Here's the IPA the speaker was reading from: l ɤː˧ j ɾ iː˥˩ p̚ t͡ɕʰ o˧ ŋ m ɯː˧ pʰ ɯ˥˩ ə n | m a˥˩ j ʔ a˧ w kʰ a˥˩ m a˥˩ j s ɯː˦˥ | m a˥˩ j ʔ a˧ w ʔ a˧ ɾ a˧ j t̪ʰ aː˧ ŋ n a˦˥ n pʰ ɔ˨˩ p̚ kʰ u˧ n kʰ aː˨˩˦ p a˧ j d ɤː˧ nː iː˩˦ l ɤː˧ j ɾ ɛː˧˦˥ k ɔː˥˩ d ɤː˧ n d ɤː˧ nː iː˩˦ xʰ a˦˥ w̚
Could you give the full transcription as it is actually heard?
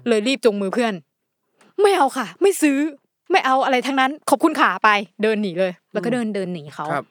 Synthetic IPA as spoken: l ɤː˧ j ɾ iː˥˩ p̚ t͡ɕ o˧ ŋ m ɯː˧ pʰ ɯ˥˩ ə n | m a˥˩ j ʔ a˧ w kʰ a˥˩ m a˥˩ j s ɯː˦˥ | m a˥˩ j ʔ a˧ w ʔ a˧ ɾ a˧ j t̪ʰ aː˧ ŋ n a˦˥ n kʰ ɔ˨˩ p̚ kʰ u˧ n kʰ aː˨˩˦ p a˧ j d ɤː˧ nː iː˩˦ l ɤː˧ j l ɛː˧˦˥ k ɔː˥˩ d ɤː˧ n d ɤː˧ nː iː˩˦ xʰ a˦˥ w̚